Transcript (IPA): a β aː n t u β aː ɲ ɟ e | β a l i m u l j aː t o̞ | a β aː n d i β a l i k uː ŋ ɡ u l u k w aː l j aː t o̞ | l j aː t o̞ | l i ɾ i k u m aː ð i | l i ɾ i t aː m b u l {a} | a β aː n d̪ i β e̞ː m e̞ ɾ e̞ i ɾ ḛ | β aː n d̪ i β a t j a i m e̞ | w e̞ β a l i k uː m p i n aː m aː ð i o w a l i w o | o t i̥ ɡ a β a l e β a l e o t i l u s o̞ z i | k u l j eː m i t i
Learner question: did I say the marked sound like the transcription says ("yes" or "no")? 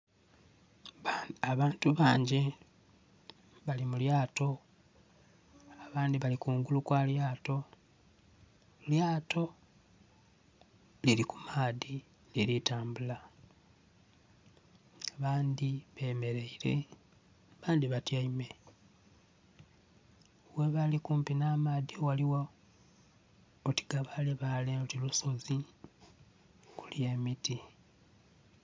yes